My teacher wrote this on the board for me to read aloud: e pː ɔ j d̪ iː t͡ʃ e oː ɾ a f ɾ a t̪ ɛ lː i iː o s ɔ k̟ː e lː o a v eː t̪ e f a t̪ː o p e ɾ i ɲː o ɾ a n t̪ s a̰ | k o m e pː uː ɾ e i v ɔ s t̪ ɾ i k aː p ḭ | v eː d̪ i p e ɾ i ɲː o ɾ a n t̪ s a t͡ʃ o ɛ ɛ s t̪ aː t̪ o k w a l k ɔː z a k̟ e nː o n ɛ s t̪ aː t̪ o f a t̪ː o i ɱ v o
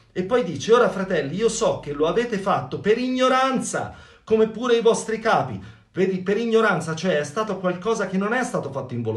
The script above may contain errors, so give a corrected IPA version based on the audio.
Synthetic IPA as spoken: e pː ɔ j d̪ iː t͡ʃ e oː ɾ a f ɾ a t̪ ɛ lː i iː o s ɔ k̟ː e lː o a v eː t̪ e f a t̪ː o p e ɾ i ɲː o ɾ a n t̪ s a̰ | k o m e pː uː ɾ e i v ɔ s t̪ ɾ i k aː p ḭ | v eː d̪ i p e ɾ i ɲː o ɾ a n t̪ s a t͡ʃ o ɛ ɛ s t̪ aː t̪ o k w a l k ɔː z a k̟ e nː o n ɛ s t̪ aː t̪ o f a t̪ː o i ɱ v o